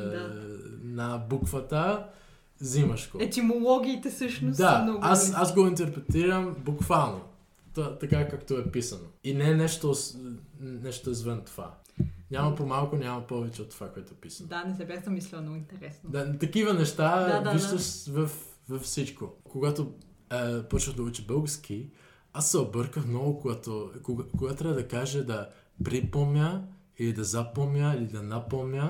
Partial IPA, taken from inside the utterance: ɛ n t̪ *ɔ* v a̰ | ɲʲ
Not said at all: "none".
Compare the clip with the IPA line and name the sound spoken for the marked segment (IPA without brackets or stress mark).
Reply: o